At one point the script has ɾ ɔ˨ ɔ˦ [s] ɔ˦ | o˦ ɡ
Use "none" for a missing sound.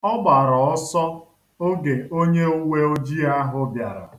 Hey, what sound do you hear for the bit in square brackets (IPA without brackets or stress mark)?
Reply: s